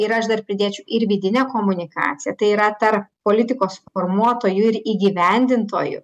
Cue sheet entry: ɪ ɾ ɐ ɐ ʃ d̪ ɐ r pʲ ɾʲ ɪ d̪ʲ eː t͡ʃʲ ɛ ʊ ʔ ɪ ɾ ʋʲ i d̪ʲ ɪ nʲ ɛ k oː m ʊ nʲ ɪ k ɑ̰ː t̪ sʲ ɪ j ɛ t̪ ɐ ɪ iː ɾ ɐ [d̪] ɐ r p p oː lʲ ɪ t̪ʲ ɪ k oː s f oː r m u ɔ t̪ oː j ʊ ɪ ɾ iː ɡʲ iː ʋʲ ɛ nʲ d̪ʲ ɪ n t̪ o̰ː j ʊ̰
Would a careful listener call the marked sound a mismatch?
yes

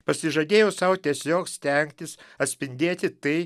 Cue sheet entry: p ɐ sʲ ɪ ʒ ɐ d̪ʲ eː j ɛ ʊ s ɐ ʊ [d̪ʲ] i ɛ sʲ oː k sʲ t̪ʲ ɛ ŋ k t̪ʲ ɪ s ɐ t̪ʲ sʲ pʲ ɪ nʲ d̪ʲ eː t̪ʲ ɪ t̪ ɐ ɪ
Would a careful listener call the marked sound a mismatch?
yes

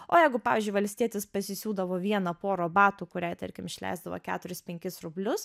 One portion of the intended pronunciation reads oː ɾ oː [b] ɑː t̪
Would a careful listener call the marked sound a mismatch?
no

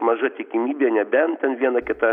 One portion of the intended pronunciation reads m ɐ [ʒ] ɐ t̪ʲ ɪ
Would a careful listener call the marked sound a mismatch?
no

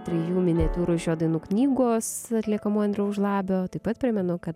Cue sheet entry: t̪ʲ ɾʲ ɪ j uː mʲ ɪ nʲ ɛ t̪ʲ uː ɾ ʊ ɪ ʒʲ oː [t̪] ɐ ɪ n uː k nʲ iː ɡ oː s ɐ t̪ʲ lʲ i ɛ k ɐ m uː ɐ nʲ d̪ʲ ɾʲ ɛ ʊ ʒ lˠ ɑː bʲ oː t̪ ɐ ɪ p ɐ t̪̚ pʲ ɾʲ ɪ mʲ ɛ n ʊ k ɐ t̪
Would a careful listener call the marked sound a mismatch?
yes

